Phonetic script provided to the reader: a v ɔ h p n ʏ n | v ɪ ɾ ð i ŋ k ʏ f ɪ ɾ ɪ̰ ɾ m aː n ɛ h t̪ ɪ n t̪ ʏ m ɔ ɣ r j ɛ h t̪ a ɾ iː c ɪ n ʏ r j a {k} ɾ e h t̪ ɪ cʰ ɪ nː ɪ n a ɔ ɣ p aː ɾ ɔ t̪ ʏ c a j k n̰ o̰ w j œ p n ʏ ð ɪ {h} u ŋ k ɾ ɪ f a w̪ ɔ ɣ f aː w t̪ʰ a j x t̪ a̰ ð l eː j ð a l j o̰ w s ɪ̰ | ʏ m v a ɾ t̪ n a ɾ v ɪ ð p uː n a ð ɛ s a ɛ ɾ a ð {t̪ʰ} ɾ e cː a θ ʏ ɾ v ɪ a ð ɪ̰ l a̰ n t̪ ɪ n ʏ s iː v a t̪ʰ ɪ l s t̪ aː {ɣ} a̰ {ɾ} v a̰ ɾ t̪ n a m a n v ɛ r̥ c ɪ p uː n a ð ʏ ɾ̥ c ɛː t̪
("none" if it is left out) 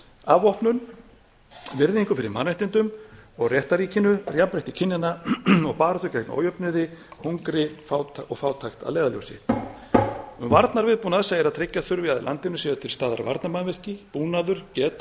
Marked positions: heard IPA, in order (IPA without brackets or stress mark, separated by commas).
p, h, t̪ʰ, ð, ɾ